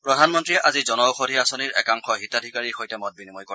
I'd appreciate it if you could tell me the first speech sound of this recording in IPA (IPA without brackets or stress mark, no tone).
p